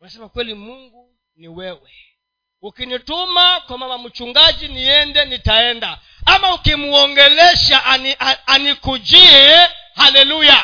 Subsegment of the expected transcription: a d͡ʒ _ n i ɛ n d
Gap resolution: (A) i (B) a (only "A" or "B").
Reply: A